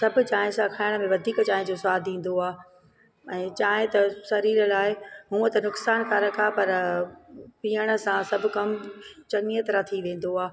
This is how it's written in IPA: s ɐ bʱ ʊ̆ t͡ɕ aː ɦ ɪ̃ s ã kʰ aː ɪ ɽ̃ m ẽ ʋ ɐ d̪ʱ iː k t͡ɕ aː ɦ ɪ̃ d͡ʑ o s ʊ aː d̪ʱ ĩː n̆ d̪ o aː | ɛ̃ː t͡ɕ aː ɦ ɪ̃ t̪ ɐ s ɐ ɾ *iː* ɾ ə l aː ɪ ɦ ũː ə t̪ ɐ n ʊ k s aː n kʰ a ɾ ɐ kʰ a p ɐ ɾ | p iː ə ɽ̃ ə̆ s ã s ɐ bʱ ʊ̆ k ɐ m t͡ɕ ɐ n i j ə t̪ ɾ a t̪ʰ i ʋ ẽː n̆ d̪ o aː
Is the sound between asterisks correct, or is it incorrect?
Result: correct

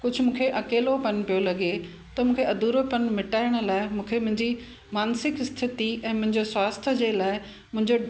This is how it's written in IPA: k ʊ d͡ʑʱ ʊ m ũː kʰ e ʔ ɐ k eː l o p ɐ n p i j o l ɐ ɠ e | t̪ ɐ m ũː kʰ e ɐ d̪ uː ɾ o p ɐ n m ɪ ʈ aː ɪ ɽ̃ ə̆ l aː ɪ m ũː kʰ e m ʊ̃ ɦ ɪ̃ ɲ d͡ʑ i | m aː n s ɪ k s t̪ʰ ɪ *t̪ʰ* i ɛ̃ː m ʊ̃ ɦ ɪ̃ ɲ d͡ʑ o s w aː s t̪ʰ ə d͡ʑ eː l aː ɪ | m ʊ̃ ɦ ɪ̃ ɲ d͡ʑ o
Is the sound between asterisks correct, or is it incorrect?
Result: incorrect: t̪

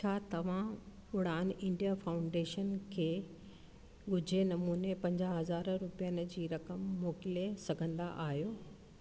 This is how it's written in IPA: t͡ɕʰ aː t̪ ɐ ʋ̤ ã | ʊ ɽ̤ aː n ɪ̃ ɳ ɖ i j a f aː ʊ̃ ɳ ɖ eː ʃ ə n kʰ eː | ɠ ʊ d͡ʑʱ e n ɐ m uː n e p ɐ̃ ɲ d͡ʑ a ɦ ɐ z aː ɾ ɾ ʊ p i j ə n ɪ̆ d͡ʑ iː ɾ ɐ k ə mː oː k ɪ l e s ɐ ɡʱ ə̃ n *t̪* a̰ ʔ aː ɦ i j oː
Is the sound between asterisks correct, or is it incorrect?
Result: incorrect: d̪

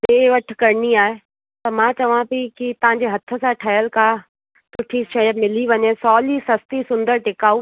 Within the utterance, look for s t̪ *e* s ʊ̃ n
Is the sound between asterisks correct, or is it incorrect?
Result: incorrect: i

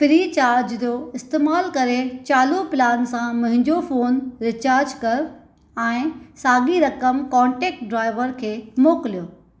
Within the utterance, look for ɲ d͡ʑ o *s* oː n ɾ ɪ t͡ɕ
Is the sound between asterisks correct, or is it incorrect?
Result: incorrect: f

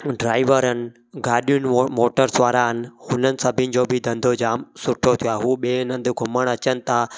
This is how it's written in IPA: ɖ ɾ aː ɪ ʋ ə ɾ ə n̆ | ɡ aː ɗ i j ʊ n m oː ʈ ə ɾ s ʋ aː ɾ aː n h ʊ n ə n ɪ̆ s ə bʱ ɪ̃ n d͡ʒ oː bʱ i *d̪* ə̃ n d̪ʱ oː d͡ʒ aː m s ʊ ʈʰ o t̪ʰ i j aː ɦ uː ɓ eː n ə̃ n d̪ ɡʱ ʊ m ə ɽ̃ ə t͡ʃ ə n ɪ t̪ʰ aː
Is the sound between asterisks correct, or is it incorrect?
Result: correct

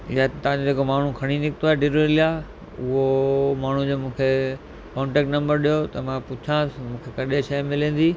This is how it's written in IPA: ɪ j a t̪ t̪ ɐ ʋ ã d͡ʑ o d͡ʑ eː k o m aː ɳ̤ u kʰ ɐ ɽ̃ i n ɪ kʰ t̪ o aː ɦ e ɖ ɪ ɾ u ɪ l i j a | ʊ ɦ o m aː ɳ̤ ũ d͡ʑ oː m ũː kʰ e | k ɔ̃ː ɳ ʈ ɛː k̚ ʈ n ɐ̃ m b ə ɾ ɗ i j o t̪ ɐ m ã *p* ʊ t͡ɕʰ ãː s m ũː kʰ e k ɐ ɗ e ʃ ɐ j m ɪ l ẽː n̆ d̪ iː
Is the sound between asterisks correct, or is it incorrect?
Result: correct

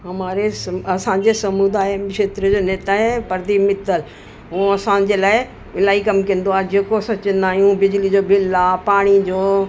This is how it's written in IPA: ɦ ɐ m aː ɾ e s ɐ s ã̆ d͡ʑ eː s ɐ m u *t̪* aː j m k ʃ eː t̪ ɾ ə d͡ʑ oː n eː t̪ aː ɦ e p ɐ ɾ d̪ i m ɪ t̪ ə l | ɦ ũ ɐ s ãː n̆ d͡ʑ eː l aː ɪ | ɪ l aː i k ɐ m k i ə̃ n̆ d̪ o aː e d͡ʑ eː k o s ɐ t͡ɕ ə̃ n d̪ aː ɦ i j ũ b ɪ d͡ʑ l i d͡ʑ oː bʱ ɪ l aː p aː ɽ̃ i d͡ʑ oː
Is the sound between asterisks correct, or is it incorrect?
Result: incorrect: d̪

